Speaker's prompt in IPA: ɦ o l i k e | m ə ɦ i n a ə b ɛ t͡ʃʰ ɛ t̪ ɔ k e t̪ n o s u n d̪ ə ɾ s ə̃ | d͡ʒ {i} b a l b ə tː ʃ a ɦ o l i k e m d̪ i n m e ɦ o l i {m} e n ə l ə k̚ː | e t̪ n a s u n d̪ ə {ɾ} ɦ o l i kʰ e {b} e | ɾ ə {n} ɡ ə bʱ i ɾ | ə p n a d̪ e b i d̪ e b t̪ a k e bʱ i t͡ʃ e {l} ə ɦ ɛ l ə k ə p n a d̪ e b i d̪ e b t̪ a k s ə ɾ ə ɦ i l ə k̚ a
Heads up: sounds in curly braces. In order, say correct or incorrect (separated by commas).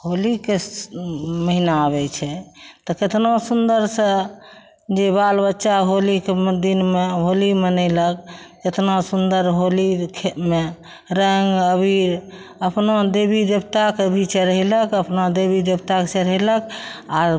incorrect, correct, correct, incorrect, incorrect, incorrect